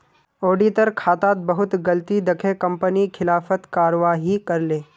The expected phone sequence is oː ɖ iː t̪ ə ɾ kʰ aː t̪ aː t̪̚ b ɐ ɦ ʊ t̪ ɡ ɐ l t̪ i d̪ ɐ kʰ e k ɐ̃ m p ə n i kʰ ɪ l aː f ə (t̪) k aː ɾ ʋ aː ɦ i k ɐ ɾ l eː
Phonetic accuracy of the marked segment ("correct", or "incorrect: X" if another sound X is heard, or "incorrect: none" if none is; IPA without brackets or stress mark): correct